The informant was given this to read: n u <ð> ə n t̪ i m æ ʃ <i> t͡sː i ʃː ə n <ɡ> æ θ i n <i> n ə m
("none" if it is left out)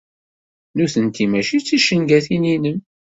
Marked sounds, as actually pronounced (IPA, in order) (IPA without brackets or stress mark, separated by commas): θ, i, ɡ, i